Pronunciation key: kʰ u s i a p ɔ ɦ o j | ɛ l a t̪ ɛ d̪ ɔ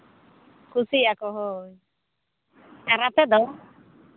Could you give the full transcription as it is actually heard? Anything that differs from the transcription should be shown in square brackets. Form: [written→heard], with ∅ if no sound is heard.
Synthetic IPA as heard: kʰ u s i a [p→k] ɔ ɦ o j | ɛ [l→ɾ] a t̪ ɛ d̪ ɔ